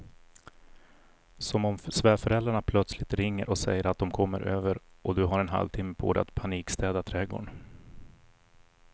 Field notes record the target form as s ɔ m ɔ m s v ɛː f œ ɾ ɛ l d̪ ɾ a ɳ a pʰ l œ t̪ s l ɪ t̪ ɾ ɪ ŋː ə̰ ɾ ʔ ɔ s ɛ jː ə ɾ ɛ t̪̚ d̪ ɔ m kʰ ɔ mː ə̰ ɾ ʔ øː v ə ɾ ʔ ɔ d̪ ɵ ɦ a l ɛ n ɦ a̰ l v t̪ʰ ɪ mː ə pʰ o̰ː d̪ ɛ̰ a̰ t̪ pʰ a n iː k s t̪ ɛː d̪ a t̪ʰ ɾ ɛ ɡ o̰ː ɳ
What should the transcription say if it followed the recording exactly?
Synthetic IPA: s ɔ m ɔ m s v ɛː f œ ɾ ɛ l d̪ ɾ a ɳ a pʰ l œ t̪ s l ɪ t̪ ɾ ɪ ŋː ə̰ ɾ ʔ ɔ s ɛ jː ə ɾ a t̪̚ d̪ ɔ m kʰ ɔ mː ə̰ ɾ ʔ øː v ə ɾ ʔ ɔ d̪ ɵ ɦ a ɾ ɛ n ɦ a̰ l v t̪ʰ ɪ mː ə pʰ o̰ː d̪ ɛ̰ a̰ t̪ pʰ a n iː k s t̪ ɛː d̪ a t̪ʰ ɾ ɛ ɡ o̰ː ɳ